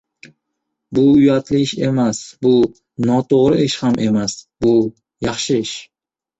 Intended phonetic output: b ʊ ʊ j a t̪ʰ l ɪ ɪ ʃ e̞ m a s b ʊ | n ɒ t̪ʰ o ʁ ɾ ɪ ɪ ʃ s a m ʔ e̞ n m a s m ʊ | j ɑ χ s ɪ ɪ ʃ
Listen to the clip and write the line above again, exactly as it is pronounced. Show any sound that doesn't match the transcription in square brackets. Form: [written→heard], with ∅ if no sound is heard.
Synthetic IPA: b ʊ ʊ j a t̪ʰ l ɪ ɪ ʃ e̞ m a s b ʊ | n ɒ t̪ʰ o ʁ ɾ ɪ ɪ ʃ [s→h] a m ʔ e̞ [n→∅] m a s [m→b] ʊ | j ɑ χ [s→ʃ] ɪ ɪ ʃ